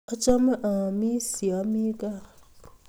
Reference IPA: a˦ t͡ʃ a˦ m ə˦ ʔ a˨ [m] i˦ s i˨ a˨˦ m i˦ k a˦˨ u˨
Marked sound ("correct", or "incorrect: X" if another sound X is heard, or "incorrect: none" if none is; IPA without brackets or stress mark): correct